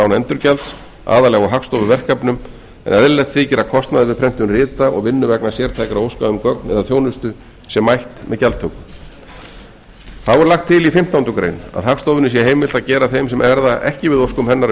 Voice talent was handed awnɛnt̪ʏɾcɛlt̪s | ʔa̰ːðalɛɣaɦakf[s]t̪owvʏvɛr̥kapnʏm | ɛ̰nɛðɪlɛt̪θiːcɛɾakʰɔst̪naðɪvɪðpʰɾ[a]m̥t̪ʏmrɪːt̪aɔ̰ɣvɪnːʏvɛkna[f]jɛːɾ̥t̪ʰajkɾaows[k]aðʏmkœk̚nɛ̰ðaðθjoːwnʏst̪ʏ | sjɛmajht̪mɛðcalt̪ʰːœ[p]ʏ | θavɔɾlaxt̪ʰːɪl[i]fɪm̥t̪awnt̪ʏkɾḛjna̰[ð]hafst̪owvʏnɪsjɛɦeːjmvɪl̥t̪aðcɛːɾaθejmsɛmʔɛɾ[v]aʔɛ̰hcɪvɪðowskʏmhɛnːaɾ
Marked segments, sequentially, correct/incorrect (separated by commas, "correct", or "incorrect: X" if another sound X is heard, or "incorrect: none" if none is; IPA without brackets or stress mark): correct, incorrect: ɛ, incorrect: s, correct, incorrect: k, correct, correct, incorrect: ð